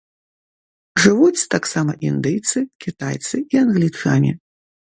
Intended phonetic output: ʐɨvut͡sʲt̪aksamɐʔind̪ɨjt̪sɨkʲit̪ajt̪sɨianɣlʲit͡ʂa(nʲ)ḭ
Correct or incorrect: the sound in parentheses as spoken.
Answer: correct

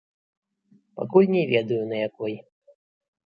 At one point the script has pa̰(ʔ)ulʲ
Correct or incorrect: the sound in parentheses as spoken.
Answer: incorrect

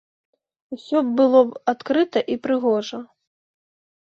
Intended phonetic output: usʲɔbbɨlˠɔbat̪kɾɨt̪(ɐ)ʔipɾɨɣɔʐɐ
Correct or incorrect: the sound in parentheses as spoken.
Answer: correct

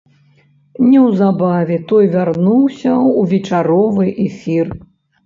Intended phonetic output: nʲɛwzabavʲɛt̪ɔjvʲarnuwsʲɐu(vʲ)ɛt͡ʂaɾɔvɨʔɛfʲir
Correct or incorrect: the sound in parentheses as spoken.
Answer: correct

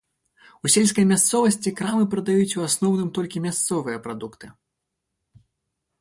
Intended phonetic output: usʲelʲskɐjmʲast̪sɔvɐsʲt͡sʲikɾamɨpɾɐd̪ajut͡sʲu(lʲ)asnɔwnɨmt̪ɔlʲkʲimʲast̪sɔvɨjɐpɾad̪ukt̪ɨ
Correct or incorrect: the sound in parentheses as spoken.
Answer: incorrect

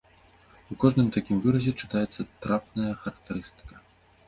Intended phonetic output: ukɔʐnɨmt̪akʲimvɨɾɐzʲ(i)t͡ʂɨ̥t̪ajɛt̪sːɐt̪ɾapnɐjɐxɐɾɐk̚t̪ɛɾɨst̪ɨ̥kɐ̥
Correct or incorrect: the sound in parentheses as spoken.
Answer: incorrect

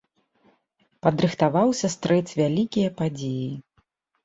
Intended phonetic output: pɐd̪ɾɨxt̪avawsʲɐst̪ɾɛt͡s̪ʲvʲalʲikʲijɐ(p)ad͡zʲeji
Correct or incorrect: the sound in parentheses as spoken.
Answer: correct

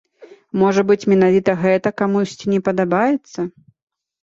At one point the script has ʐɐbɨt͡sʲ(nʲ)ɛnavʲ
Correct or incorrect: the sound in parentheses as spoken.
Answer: incorrect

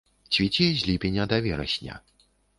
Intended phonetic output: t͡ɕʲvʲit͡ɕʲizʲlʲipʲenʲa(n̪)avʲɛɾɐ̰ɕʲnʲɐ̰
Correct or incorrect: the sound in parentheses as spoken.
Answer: incorrect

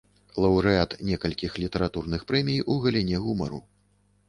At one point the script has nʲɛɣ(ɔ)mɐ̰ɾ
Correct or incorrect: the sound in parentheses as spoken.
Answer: incorrect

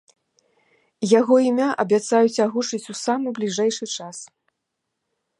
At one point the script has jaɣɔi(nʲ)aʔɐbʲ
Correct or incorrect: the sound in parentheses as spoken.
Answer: incorrect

